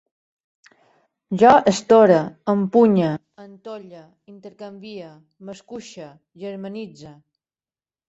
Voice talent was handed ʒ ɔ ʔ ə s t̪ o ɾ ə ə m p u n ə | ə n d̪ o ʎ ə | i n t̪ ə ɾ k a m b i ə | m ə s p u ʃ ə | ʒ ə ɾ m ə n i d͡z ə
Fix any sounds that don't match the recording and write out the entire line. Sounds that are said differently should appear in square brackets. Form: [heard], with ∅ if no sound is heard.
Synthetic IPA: ʒ ɔ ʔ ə s t̪ o ɾ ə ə m p u [ɲ] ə | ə n [t̪] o ʎ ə | i n t̪ ə ɾ k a m b i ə | m ə s [k] u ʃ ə | ʒ ə ɾ m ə n i d͡z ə